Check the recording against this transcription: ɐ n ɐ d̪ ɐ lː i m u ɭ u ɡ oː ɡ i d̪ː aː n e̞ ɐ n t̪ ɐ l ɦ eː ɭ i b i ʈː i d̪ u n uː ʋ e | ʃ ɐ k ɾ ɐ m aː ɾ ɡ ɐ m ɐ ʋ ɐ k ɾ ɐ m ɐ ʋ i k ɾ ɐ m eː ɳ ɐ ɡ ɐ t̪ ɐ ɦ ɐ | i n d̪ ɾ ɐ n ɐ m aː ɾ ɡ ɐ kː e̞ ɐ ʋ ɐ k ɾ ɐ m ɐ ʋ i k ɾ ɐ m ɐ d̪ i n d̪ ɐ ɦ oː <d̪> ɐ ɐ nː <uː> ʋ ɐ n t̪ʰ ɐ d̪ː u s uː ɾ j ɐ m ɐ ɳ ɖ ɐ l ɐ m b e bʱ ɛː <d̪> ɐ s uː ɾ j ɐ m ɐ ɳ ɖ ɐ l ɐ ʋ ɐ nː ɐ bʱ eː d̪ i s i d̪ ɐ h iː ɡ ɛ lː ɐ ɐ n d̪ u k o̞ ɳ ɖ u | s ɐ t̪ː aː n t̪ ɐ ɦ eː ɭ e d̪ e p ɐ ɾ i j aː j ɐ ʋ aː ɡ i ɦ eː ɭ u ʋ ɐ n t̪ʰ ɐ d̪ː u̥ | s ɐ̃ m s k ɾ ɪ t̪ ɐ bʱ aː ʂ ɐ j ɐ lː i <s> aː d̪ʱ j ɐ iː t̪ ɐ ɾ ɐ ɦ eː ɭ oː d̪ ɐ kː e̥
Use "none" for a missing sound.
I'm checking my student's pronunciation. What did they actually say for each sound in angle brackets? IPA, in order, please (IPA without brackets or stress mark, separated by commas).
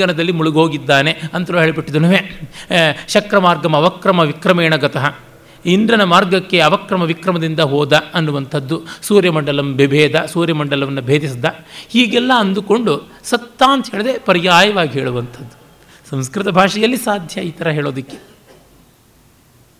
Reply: d̪, u, d̪, s